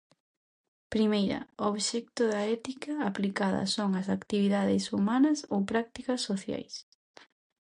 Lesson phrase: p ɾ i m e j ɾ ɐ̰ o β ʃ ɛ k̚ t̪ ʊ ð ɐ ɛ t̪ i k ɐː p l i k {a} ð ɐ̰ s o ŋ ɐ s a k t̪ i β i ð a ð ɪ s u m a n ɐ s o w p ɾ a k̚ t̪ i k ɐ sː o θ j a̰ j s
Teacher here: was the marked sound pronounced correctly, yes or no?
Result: yes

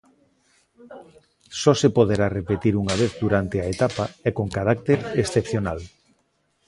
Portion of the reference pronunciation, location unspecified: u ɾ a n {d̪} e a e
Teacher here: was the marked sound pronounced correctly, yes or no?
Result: no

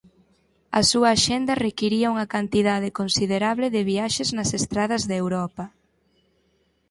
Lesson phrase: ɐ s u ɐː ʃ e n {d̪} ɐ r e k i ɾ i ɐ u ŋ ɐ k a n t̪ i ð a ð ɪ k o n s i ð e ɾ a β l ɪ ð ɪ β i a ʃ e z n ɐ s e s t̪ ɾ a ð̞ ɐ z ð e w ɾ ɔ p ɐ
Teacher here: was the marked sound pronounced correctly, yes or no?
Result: yes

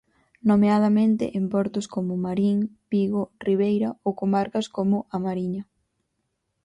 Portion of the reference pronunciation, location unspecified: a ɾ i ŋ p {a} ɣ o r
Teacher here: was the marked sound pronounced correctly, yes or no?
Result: no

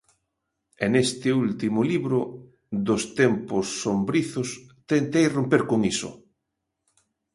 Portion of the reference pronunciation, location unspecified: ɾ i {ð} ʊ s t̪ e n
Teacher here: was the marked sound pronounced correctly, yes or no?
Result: no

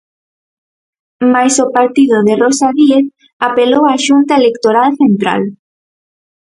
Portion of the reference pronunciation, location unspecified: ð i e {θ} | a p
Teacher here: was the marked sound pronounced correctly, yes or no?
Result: yes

